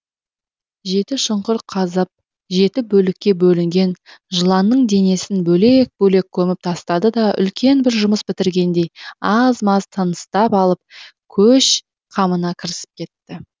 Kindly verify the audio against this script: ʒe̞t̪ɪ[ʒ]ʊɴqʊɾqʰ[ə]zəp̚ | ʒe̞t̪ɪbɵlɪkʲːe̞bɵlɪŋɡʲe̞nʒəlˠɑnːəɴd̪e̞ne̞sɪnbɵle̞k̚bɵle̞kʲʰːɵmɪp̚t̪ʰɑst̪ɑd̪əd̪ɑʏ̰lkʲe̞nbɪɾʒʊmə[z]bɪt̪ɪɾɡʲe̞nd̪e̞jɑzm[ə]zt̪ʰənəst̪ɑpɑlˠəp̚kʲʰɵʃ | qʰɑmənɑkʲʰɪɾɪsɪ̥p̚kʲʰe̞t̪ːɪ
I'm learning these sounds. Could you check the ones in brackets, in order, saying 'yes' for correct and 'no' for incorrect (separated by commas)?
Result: no, no, no, no